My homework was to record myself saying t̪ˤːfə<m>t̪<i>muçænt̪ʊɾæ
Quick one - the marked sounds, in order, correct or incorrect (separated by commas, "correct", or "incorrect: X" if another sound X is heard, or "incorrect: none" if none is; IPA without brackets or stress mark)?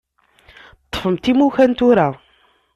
correct, correct